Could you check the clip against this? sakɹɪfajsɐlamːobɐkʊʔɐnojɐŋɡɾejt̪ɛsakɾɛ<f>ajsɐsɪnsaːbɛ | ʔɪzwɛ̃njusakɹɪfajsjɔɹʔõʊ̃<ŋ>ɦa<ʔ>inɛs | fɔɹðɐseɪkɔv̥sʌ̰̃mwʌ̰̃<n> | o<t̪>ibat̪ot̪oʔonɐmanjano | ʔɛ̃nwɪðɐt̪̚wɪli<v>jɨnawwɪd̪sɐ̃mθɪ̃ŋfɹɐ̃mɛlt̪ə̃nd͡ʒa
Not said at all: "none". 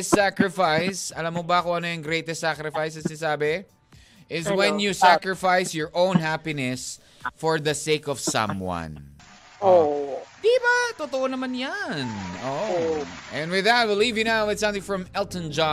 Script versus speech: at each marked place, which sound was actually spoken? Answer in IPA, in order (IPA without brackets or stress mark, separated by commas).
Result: f, n, p, n, d̪, v